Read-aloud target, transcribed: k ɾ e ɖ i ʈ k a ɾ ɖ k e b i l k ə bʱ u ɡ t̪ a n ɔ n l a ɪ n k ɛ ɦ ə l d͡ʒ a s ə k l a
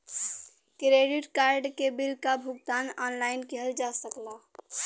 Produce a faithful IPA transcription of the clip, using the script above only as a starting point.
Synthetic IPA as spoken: k ɾ e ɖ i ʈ k a ɾ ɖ k e b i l k a bʱ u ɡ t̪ a n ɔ n l a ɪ n k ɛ ɦ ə l d͡ʒ a s ə k l a